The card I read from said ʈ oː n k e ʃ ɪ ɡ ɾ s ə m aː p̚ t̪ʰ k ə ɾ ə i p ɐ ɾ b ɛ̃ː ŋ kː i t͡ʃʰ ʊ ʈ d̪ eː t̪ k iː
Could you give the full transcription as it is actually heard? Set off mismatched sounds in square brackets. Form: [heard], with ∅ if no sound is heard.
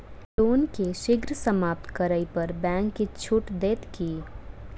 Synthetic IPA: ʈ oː n k e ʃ ɪ ɡ ɾ s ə m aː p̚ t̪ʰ k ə ɾ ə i p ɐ ɾ b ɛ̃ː ŋ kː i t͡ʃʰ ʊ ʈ d̪ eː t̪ k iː